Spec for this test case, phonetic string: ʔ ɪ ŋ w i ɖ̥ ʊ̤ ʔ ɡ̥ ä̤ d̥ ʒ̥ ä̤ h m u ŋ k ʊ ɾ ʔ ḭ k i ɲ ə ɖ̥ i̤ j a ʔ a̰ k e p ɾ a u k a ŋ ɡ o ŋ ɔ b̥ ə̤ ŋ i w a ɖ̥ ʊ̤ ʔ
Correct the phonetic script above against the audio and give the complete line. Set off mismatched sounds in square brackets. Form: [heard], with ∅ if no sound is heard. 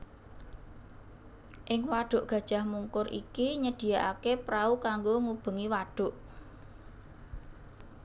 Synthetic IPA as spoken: ʔ ɪ ŋ w [a] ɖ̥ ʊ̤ ʔ ɡ̥ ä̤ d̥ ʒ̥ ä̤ h m u ŋ k ʊ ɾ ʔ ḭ k i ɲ ə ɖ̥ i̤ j a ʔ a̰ k e p ɾ a u k a ŋ ɡ o ŋ [u] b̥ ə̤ ŋ i w a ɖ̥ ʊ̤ ʔ